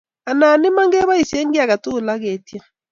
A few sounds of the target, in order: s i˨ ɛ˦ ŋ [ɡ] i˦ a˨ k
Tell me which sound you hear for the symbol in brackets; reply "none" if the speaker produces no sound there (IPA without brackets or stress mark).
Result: ɡ